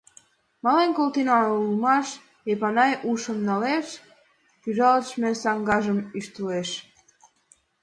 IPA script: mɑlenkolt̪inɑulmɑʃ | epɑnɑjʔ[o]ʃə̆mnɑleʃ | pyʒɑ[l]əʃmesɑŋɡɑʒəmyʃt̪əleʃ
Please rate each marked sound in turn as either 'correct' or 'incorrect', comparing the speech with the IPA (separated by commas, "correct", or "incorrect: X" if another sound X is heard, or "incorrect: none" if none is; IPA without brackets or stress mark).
incorrect: u, correct